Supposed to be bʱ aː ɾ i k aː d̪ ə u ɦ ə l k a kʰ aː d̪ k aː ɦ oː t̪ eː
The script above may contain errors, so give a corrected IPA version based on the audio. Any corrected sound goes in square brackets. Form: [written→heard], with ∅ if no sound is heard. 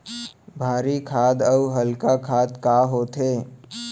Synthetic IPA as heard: bʱ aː ɾ i [k→kʰ] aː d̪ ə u ɦ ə l k a kʰ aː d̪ k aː ɦ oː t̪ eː